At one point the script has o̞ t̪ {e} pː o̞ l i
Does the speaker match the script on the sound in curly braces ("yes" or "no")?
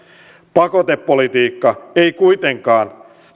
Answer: yes